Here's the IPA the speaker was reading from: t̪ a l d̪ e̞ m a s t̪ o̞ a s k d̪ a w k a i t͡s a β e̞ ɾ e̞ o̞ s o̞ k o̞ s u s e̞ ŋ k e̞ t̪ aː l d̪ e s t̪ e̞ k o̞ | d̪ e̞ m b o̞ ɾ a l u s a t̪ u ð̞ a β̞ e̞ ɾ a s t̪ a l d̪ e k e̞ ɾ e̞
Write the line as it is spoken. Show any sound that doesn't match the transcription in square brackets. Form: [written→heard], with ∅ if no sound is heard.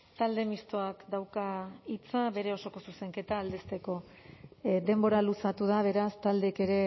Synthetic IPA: t̪ a l d̪ e̞ m [a→i] s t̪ o̞ a [s→∅] k d̪ a w k a i t͡s a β e̞ ɾ e̞ o̞ s o̞ k o̞ s u s e̞ ŋ k e̞ t̪ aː l d̪ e s t̪ e̞ k o̞ | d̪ e̞ m b o̞ ɾ a l u s a t̪ u ð̞ a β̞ e̞ ɾ a s t̪ a l d̪ e k e̞ ɾ e̞